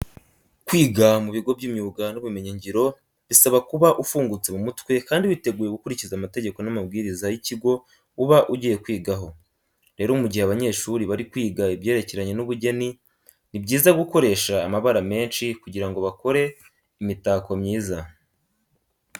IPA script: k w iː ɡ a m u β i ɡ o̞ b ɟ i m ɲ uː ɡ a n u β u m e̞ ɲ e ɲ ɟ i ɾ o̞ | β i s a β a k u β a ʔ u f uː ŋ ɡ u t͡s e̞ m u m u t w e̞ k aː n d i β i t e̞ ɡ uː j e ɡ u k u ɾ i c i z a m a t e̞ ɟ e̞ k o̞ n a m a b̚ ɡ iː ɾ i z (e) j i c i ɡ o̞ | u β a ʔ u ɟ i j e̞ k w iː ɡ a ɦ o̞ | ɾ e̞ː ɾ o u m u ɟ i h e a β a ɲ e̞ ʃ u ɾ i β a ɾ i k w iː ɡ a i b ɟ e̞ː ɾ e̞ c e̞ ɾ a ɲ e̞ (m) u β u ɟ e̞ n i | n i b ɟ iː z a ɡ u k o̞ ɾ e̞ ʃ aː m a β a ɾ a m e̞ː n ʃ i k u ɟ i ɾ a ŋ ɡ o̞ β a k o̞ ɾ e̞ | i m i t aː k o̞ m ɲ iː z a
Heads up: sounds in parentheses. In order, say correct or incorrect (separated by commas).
incorrect, incorrect